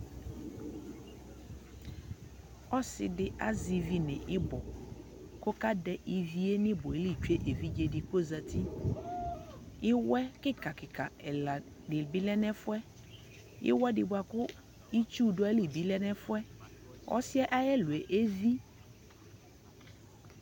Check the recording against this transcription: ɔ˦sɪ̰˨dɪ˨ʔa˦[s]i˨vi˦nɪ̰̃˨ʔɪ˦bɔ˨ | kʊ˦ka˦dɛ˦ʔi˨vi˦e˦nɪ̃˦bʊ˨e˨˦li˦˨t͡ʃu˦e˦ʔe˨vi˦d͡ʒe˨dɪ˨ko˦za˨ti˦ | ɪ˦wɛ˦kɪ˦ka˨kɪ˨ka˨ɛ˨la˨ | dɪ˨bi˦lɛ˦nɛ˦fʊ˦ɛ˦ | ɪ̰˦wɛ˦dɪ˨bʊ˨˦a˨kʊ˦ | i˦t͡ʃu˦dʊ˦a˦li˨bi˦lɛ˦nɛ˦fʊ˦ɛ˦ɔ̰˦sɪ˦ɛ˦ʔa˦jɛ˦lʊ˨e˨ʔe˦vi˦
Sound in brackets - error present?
yes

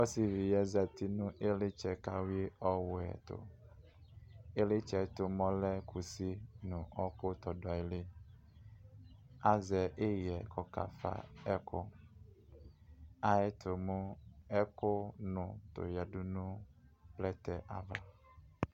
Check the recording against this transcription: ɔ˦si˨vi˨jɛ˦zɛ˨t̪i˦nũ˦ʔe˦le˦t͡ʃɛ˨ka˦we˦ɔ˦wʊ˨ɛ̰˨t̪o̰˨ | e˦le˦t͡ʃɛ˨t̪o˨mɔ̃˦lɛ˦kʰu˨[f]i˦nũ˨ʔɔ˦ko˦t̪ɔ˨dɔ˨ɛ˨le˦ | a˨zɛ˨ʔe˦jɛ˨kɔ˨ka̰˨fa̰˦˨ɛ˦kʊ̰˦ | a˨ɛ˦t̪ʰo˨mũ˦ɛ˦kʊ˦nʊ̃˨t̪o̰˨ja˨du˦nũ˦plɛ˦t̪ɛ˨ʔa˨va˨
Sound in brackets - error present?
yes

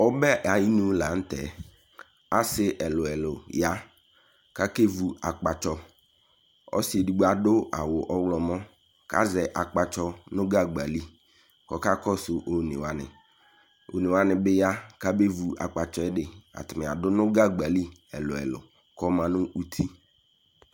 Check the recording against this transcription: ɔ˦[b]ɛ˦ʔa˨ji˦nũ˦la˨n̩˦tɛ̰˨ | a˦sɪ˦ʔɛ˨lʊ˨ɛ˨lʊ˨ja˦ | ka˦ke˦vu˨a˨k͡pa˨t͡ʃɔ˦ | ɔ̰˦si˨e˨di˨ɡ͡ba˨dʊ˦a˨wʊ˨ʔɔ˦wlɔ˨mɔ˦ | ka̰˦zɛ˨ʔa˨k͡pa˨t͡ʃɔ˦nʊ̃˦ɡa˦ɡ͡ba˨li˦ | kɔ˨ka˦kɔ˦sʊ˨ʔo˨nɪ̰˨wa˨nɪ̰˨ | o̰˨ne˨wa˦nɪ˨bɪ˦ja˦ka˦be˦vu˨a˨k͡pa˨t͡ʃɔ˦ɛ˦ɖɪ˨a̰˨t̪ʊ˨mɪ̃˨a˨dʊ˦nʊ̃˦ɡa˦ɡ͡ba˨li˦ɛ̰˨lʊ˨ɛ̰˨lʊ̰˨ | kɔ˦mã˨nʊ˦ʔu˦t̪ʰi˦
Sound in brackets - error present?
no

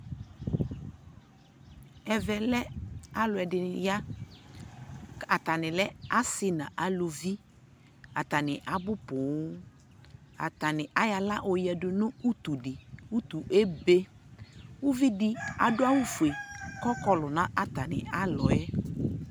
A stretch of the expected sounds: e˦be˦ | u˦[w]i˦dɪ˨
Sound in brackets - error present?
yes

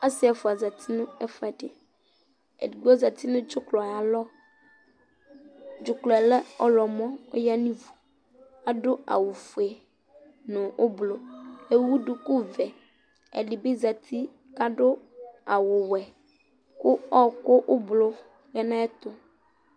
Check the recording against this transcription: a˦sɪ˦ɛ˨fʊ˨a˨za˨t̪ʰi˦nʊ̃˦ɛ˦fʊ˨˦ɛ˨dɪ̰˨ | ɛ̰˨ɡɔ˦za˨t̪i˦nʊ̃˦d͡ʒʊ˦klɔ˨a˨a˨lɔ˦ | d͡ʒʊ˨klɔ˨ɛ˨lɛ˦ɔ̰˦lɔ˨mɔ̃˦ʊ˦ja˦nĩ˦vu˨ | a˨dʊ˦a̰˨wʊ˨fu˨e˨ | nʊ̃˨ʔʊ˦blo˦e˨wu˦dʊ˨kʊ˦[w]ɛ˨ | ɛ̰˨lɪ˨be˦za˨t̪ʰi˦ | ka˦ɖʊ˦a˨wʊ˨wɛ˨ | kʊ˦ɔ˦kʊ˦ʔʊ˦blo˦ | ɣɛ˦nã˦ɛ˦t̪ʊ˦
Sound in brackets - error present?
yes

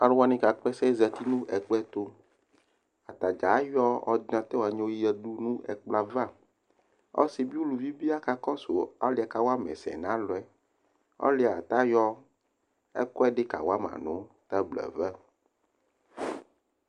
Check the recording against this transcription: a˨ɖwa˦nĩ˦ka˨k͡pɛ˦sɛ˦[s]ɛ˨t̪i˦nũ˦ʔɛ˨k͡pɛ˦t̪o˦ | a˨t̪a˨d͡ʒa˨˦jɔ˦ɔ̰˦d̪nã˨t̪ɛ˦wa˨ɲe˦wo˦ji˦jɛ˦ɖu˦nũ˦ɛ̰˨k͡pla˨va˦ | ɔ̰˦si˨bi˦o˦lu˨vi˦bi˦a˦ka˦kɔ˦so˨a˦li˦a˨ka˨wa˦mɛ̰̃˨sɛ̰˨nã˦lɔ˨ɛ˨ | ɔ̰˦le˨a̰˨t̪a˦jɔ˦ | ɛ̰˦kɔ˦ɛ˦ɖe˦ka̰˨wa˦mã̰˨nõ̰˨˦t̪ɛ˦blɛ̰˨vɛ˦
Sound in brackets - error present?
yes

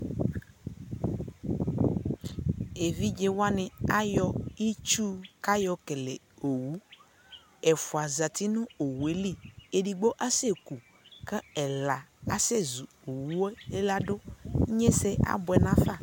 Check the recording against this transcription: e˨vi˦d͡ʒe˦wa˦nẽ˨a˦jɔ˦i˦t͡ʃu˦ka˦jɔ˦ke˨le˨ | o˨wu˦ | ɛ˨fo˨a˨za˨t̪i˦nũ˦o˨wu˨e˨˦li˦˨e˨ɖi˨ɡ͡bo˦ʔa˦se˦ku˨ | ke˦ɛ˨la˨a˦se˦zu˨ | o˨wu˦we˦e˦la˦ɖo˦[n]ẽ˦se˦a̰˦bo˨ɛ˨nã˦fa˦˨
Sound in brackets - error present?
yes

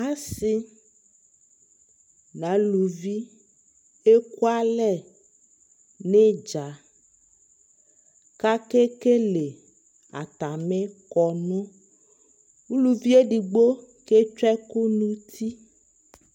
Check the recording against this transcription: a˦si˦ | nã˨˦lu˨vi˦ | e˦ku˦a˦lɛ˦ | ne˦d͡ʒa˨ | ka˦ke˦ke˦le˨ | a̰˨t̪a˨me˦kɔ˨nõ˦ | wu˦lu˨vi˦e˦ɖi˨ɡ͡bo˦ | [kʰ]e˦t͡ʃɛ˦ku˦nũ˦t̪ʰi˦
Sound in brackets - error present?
yes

